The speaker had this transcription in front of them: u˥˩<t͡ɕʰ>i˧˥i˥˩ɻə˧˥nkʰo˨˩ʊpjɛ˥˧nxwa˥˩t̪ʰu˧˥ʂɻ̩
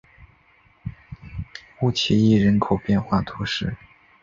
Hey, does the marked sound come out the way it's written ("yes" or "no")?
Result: yes